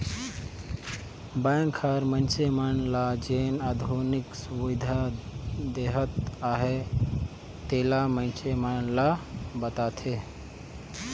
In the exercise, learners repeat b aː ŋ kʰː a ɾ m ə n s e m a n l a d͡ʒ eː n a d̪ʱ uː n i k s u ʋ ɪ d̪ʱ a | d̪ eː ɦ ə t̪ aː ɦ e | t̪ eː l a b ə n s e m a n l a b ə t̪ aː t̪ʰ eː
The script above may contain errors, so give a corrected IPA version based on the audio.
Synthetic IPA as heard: b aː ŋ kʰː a ɾ m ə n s e m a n l a d͡ʒ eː n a d̪ʱ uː n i k s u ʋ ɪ d̪ʱ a | d̪ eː ɦ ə t̪ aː ɦ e | t̪ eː l a m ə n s e m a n l a b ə t̪ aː t̪ʰ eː